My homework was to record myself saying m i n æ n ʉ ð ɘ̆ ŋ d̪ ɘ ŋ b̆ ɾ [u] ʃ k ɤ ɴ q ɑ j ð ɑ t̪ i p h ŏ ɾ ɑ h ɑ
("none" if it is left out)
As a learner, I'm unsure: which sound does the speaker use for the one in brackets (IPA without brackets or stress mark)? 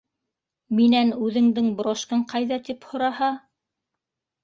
o